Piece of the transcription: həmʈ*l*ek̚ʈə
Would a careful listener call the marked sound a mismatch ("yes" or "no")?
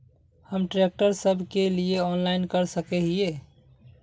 yes